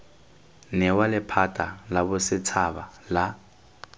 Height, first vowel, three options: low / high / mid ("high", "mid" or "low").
mid